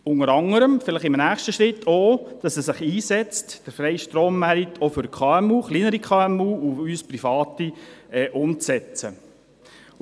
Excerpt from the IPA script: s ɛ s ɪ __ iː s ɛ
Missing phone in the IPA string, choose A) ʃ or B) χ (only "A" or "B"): B